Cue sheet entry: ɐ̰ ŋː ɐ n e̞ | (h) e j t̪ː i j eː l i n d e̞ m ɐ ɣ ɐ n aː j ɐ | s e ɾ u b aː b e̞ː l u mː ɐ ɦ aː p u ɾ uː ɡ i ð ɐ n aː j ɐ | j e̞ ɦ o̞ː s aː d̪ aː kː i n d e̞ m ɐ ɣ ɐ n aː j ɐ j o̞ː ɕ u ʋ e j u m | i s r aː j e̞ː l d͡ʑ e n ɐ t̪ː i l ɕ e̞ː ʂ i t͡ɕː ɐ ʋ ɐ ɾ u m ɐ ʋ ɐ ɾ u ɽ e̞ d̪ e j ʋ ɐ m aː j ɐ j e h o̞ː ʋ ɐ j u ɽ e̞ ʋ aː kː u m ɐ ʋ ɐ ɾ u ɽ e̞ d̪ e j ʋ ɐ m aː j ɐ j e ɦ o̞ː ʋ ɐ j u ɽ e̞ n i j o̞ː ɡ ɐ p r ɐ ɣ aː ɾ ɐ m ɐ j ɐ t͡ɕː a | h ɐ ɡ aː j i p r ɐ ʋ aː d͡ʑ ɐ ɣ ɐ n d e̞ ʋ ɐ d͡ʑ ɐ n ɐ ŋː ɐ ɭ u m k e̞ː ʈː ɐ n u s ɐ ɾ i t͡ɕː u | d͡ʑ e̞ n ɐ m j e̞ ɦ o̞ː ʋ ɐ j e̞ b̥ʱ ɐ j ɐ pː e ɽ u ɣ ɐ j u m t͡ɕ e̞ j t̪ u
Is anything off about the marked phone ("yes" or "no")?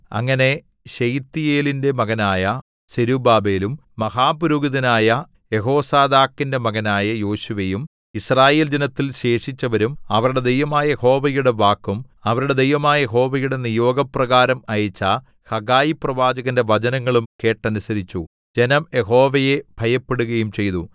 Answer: yes